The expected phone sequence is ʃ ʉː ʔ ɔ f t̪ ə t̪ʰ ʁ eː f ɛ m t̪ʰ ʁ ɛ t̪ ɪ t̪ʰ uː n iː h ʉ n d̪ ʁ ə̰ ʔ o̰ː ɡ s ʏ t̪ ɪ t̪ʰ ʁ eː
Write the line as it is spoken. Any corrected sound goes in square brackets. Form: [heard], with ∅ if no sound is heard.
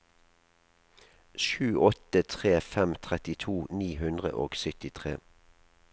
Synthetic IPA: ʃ ʉː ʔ ɔ [∅] t̪ ə t̪ʰ ʁ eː f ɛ m t̪ʰ ʁ ɛ t̪ ɪ t̪ʰ uː n iː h ʉ n d̪ ʁ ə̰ ʔ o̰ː ɡ s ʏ t̪ ɪ t̪ʰ ʁ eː